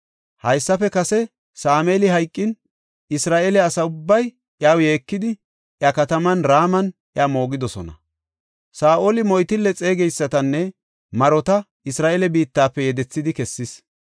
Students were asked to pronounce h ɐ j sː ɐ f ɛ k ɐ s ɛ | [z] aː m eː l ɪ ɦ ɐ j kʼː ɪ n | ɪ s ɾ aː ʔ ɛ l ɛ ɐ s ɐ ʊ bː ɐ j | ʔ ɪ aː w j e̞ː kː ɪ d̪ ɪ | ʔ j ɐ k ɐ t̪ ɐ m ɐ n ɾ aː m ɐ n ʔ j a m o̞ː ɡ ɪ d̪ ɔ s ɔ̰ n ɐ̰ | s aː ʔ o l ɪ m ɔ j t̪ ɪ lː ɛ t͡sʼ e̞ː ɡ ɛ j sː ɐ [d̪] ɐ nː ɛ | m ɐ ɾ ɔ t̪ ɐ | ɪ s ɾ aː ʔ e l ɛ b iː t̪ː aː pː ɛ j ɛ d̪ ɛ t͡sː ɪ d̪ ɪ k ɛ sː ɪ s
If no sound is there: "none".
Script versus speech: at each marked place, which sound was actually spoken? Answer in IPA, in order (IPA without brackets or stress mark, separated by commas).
s, t̪